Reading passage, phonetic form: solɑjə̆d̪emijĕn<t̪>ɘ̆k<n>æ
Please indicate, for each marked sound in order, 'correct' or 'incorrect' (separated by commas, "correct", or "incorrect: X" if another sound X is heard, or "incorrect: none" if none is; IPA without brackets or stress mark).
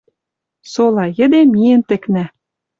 correct, correct